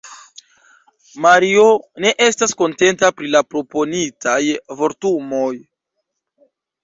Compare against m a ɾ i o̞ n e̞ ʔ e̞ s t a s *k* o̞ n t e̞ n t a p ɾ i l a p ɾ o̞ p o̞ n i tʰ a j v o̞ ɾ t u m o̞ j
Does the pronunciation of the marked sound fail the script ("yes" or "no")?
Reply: no